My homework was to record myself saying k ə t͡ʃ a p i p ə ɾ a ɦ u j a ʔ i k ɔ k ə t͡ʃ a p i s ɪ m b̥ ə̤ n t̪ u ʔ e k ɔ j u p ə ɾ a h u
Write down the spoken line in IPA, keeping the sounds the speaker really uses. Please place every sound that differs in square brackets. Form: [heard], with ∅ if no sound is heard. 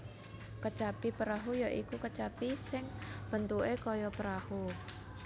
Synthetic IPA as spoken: k ə t͡ʃ a p i p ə ɾ a ɦ u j a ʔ i k [u] k ə t͡ʃ a p i s ɪ [ŋ] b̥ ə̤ n t̪ u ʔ e k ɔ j [ɔ] p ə ɾ a h u